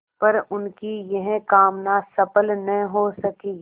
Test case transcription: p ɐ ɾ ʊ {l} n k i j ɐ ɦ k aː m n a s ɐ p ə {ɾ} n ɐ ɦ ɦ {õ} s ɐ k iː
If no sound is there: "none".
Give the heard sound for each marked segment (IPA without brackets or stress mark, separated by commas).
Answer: none, l, o